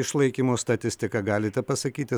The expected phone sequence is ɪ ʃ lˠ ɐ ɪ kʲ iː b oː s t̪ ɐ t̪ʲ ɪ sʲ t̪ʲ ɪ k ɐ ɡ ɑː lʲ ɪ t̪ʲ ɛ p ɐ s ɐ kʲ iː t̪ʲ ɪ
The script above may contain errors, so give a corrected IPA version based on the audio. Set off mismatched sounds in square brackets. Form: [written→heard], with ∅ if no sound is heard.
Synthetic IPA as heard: ɪ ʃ lˠ ɐ ɪ kʲ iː [b→m] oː s t̪ ɐ t̪ʲ ɪ sʲ t̪ʲ ɪ k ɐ ɡ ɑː lʲ ɪ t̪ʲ ɛ p ɐ s ɐ kʲ iː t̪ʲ ɪ